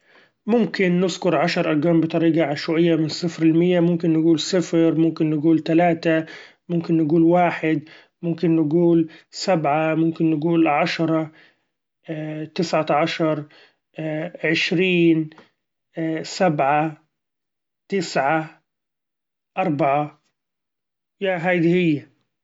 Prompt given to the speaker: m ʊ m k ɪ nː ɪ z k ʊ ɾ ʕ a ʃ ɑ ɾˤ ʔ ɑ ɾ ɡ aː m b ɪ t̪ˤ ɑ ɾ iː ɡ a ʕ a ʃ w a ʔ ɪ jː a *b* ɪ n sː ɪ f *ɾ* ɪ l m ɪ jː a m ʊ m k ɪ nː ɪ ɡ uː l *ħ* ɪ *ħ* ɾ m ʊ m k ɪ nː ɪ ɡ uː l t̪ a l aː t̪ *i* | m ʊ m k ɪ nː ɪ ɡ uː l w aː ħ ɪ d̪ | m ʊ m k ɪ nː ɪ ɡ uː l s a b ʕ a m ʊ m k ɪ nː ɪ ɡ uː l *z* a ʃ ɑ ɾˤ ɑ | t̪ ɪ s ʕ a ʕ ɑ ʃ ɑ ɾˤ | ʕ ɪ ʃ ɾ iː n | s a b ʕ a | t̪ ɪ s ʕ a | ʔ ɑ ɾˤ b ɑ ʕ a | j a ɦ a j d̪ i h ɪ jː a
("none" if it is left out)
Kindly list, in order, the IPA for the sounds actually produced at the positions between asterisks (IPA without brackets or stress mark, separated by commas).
m, ɾ, s, f, a, ʕ